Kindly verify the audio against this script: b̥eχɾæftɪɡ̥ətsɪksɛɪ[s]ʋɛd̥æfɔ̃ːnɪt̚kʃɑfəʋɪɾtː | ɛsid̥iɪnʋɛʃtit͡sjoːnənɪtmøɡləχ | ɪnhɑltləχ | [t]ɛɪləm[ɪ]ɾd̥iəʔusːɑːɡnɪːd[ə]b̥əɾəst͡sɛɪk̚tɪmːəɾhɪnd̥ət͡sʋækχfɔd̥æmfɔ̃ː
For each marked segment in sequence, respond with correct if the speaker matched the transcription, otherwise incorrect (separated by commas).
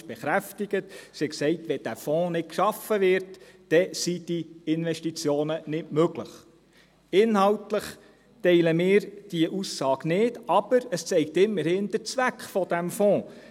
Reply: incorrect, correct, incorrect, incorrect